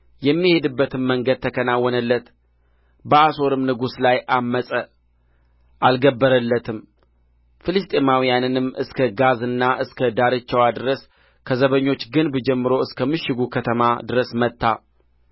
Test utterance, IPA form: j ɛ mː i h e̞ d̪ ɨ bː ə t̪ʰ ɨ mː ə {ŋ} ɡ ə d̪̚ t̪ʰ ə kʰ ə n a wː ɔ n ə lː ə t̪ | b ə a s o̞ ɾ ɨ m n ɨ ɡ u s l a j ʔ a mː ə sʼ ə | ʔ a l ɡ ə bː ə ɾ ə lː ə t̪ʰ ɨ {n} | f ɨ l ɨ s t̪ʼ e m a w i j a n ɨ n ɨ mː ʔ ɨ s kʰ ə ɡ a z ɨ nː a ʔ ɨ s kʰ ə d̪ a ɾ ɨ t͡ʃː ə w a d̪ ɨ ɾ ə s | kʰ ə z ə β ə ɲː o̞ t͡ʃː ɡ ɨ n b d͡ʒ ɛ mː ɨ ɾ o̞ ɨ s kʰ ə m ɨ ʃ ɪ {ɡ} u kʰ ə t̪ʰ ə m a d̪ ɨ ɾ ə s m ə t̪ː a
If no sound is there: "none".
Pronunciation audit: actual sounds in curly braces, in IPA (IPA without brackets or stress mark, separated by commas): ŋ, m, ɡ